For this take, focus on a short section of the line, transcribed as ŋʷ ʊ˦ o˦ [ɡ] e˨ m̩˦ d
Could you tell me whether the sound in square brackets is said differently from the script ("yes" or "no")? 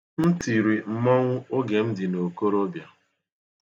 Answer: no